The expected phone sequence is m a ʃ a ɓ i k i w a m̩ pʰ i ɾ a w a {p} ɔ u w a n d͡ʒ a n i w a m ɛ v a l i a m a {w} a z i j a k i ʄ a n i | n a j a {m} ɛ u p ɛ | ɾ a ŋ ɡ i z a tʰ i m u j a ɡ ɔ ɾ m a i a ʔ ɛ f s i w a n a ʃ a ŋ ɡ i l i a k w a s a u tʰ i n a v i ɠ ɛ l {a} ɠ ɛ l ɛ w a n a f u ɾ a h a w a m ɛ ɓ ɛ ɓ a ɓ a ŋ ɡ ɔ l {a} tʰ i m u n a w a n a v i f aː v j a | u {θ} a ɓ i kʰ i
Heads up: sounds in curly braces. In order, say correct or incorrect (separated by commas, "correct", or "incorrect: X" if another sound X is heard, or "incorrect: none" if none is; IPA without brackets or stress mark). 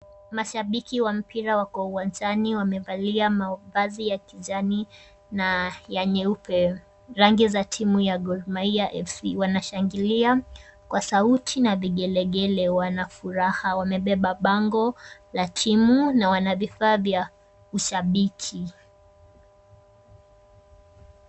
incorrect: k, incorrect: v, incorrect: ɲ, incorrect: ɛ, correct, incorrect: ʃ